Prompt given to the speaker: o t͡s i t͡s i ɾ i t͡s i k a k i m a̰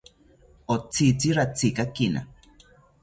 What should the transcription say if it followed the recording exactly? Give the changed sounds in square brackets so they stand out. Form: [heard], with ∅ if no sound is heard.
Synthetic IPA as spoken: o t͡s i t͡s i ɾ [a] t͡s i k a k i [n] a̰